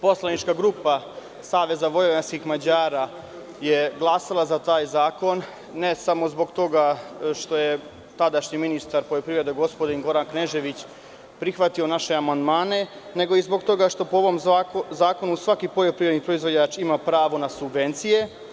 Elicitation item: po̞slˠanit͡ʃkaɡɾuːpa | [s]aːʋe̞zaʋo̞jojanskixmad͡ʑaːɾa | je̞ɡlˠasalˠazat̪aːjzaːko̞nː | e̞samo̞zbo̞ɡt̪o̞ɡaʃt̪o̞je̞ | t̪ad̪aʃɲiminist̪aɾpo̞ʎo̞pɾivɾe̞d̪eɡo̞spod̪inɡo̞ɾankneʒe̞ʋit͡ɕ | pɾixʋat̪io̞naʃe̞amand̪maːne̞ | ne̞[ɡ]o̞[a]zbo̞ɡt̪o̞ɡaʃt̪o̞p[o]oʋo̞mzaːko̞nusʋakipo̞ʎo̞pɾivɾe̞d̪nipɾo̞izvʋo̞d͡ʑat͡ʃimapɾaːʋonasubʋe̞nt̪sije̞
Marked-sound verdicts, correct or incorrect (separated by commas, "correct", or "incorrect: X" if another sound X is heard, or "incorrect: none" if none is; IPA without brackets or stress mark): correct, correct, incorrect: i, correct